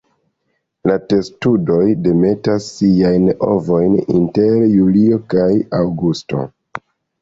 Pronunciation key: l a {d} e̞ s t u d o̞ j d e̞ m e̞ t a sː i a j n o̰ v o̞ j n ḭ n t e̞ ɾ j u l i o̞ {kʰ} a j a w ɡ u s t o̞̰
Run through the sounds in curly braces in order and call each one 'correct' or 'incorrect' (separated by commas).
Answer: incorrect, incorrect